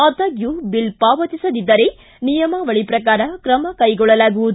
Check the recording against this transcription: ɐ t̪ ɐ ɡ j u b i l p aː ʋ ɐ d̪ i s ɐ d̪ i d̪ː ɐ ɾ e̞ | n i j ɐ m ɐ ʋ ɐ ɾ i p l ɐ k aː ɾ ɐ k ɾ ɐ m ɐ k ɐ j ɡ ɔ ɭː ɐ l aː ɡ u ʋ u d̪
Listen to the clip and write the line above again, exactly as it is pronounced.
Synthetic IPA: ɐ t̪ ɐ ɡ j u b i l p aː ʋ ɐ t̪ i s ɐ d̪ i d̪ː ɐ ɾ e̞ | n i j ɐ m ɐ ʋ ɐ ɭ i p ɾ ɐ k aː ɾ ɐ k ɾ ɐ m ɐ k ɐ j ɡ ɔ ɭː ɐ l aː ɡ u ʋ u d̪